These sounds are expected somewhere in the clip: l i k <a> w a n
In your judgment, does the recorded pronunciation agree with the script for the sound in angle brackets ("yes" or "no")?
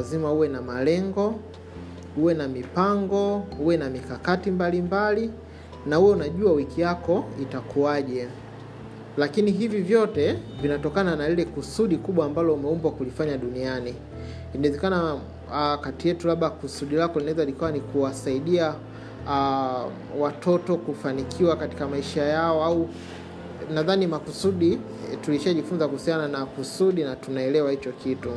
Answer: yes